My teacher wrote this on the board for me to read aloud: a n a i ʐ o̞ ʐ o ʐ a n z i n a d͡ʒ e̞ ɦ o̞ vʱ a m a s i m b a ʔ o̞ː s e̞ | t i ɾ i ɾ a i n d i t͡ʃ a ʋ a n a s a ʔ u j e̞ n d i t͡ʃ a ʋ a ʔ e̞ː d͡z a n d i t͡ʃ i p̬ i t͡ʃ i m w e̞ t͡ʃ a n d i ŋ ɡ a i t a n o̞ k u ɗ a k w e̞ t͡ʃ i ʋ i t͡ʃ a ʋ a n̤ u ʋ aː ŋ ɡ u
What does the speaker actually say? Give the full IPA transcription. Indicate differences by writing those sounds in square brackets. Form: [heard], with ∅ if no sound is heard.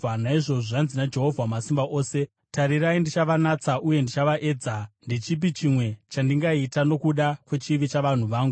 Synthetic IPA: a n a i ʐ o̞ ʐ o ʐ a n z i n a d͡ʒ e̞ ɦ o̞ vʱ a m a s i m b a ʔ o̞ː s e̞ | t [a] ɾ i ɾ a i n d i t͡ʃ a ʋ a n a [t͡s] a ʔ u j e̞ n d i t͡ʃ a ʋ a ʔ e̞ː d͡z a n d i t͡ʃ i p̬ i t͡ʃ i m w e̞ t͡ʃ a n d i ŋ ɡ a i t a n o̞ k u ɗ a k w e̞ t͡ʃ i ʋ i t͡ʃ a ʋ a n̤ u ʋ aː ŋ ɡ u